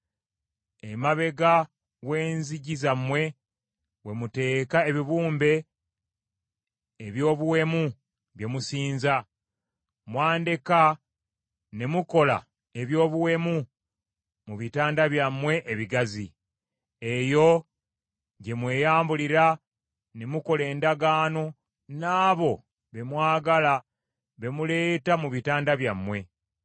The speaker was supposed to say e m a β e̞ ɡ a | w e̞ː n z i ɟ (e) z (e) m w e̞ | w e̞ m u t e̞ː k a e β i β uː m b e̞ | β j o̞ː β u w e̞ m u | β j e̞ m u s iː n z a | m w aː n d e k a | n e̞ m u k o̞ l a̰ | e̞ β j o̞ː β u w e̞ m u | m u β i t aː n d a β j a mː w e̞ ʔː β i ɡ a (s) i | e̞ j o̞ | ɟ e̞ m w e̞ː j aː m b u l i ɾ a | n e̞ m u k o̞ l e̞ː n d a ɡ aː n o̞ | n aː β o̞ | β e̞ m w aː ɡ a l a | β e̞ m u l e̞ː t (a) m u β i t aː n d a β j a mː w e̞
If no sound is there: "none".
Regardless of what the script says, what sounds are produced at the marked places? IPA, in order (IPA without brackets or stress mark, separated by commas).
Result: i, a, z, a